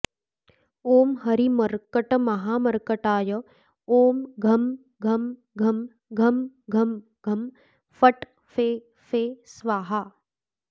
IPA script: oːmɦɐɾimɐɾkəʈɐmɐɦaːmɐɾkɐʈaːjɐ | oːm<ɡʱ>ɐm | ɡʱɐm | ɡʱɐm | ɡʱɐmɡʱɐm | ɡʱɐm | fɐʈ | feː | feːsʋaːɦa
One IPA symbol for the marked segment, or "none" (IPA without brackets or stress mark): ɡʱ